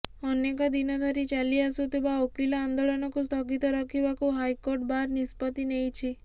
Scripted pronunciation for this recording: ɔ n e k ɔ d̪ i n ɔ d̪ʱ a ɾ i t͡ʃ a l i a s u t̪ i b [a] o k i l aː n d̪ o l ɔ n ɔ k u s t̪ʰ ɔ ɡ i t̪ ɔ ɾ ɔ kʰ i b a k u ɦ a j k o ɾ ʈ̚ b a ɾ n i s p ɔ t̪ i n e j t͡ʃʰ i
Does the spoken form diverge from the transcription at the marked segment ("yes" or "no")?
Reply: no